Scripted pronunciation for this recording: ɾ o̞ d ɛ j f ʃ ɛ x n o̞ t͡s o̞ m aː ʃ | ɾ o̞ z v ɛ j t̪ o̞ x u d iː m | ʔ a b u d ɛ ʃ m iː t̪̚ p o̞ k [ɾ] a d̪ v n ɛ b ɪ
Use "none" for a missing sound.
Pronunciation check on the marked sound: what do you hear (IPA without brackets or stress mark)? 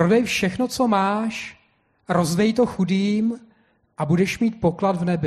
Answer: l